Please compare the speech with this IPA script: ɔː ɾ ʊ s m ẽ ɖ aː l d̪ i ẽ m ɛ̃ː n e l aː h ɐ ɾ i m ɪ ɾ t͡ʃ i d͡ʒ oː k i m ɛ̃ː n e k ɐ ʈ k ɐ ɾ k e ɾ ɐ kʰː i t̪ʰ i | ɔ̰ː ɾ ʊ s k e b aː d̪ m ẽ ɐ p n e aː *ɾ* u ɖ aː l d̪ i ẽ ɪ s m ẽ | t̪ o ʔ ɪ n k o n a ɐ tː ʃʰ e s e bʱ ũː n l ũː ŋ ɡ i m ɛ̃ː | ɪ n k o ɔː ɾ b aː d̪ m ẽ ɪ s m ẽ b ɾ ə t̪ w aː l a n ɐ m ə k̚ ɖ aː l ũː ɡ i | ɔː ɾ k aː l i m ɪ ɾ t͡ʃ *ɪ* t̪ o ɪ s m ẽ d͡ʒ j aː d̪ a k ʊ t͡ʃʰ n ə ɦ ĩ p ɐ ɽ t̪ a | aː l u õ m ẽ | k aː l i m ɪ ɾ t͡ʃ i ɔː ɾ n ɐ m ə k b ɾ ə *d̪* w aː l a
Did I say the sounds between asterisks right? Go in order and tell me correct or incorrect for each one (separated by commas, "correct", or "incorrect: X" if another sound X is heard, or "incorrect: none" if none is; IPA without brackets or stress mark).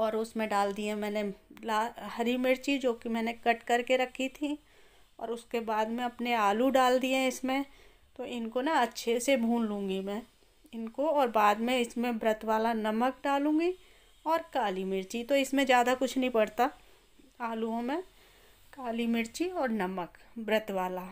incorrect: l, incorrect: i, incorrect: t̪